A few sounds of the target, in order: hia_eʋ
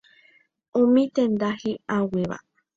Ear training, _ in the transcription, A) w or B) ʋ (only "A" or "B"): A